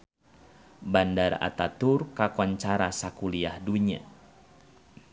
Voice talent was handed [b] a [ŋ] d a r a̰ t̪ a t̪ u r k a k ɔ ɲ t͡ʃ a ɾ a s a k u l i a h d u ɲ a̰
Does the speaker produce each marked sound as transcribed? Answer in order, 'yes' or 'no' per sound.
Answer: yes, no

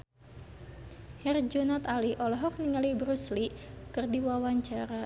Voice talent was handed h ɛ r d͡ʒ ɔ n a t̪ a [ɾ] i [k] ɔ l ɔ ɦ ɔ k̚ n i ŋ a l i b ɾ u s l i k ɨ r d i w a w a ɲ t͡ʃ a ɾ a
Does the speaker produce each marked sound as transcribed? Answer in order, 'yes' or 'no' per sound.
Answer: no, no

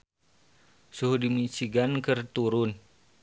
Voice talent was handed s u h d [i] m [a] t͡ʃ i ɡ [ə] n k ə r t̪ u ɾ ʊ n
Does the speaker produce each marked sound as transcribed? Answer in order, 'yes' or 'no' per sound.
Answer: yes, no, no

